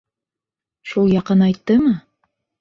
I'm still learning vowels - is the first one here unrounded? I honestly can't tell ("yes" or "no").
no